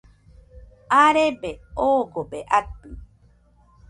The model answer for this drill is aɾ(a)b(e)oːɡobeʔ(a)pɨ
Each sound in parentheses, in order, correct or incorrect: incorrect, correct, correct

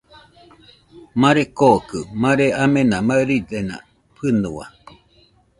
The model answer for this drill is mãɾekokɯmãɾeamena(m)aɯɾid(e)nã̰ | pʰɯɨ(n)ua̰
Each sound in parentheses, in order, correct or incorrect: correct, correct, correct

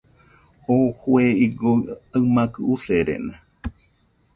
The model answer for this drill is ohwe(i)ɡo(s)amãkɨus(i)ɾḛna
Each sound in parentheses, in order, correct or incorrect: correct, incorrect, incorrect

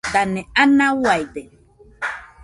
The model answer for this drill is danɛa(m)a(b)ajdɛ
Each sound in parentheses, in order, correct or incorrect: incorrect, incorrect

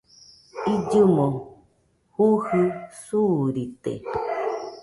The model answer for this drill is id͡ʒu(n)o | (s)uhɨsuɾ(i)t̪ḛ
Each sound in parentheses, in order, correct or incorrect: incorrect, incorrect, correct

